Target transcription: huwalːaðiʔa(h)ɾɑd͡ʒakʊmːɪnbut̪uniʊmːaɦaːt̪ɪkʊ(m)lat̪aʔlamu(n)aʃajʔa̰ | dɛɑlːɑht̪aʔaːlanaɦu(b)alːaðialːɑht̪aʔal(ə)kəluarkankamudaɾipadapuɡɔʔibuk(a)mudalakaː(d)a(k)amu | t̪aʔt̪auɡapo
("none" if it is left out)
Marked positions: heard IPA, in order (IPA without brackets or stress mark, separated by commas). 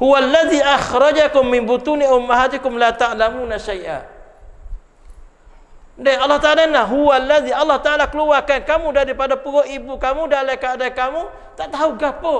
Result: x, m, n, w, a, a, d, k